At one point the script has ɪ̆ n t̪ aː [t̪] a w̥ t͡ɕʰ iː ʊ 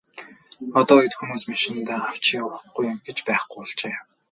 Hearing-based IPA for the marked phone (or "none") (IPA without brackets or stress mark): none